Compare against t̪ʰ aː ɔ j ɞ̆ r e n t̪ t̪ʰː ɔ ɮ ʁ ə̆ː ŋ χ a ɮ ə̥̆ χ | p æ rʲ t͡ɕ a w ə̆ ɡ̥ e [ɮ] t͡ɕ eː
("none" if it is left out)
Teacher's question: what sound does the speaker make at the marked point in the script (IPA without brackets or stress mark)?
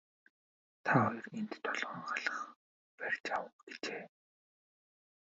none